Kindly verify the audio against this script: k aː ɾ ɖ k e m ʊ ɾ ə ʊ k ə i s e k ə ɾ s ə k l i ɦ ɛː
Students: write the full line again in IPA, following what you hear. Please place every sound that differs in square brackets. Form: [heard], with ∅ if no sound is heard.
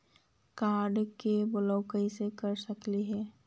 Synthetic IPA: k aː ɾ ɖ k e [b] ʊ [l] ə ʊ k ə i s e k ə ɾ s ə k l i ɦ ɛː